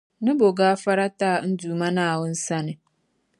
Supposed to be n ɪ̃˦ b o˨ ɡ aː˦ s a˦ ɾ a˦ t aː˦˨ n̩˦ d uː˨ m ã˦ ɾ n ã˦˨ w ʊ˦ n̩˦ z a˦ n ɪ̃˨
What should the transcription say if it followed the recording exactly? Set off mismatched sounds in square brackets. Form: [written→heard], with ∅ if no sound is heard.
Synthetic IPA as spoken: n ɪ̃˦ b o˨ ɡ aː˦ [s→f] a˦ ɾ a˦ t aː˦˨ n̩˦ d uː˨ m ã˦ [ɾ→∅] n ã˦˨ w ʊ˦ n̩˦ [z→s] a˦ n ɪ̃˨